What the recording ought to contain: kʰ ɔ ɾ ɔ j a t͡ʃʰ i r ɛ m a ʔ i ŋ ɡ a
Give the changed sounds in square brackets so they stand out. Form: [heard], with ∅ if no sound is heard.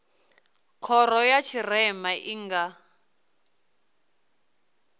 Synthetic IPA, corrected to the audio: kʰ ɔ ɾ ɔ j a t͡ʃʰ i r ɛ m a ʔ i ŋ ɡ a